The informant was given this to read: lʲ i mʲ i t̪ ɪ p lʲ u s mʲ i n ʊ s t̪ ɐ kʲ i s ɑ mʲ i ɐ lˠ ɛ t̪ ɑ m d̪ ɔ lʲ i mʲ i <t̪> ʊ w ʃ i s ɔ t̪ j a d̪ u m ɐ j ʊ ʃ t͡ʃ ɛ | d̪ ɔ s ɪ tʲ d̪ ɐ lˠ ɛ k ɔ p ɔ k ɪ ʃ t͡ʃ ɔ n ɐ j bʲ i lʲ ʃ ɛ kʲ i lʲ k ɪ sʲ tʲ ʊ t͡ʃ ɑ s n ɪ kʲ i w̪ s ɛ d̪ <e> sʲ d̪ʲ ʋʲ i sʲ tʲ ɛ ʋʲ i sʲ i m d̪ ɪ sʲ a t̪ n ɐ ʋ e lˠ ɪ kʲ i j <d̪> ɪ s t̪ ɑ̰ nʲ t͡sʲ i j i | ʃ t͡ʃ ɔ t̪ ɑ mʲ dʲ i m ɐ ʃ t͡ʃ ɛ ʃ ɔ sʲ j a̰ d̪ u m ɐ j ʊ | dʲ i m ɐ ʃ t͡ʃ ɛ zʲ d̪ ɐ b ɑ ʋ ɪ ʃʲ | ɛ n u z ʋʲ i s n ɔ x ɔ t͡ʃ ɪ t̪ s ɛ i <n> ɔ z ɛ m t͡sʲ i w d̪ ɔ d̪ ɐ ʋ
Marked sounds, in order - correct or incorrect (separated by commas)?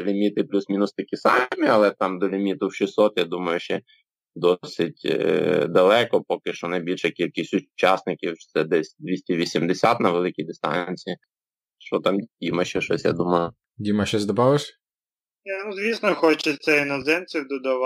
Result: correct, incorrect, correct, correct